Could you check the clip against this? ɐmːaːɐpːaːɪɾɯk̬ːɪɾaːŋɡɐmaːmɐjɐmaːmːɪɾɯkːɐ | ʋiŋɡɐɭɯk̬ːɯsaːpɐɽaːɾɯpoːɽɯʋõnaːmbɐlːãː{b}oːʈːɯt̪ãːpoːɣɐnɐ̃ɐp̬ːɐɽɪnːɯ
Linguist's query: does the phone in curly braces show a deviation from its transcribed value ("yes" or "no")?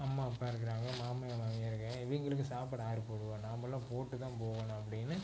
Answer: yes